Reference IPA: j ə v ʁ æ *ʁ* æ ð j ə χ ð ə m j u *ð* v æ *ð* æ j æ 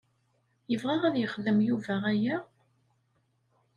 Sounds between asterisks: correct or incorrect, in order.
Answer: correct, incorrect: none, incorrect: ʁ

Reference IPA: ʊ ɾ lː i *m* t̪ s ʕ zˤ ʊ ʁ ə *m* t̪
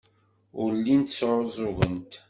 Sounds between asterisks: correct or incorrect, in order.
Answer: incorrect: n, incorrect: n

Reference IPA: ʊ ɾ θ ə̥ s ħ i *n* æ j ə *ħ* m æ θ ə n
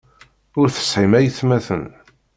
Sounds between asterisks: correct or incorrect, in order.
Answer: incorrect: m, incorrect: θ

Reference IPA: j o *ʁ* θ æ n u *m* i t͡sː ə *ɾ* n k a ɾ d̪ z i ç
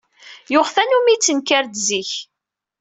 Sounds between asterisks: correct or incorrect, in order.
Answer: correct, correct, incorrect: none

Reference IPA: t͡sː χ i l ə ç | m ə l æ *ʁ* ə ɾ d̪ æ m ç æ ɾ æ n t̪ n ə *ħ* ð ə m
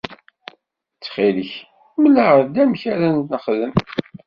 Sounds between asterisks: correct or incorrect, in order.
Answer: correct, incorrect: χ

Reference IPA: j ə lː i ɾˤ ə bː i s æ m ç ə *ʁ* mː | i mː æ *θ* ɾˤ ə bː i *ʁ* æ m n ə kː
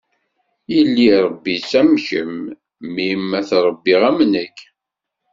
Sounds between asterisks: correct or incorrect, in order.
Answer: incorrect: none, correct, correct

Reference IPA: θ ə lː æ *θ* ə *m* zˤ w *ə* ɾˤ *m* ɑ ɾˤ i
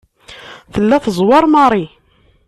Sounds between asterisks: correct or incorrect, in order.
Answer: correct, incorrect: none, incorrect: ɑ, correct

